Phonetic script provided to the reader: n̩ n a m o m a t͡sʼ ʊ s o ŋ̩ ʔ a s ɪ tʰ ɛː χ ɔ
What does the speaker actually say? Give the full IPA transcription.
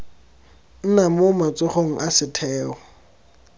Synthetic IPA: n̩ n a m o m a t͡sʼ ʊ χ o ŋ̩ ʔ a s ɪ tʰ ɛː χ ɔ